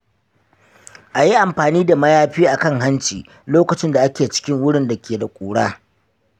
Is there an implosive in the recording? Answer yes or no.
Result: no